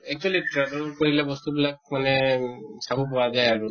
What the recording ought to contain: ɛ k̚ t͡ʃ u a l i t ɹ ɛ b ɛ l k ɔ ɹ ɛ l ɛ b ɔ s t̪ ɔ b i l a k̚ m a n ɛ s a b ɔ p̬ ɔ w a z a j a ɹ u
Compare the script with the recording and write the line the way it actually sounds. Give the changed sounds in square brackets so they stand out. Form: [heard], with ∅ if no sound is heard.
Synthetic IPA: ɛ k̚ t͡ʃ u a l i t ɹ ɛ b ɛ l k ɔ ɹ [i] l ɛ b ɔ s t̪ [u] b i l a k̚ m a n ɛ s a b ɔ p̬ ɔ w a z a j a ɹ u